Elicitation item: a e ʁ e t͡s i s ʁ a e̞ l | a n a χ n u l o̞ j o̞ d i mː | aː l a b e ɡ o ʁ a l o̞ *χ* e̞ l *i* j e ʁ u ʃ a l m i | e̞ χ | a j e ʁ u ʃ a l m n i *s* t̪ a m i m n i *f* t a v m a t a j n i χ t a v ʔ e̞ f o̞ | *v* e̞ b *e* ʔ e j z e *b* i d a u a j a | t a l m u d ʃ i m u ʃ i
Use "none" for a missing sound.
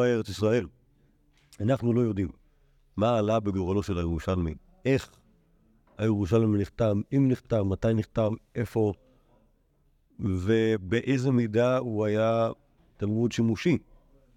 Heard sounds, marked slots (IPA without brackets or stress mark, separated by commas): ʃ, a, χ, χ, v, e, m